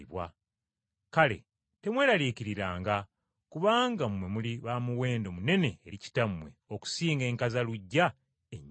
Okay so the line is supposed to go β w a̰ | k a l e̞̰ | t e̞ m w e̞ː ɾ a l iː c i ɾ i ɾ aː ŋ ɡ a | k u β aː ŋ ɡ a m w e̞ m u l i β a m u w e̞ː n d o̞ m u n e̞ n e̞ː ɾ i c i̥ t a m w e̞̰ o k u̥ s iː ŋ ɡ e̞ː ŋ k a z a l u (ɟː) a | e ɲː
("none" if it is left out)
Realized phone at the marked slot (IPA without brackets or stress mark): ɟː